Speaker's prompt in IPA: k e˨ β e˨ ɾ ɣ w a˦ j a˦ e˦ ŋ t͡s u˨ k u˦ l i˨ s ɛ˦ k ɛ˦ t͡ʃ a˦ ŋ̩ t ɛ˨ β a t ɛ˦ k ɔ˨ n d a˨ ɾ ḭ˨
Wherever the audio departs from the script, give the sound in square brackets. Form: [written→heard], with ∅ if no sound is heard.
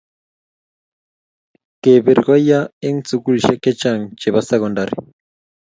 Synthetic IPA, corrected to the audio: k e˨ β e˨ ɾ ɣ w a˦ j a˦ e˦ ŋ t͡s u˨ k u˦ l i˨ [s→ʃ] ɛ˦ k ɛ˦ t͡ʃ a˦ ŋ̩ [t→t͡ʃ] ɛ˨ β a [t→s] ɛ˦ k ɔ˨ n d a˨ ɾ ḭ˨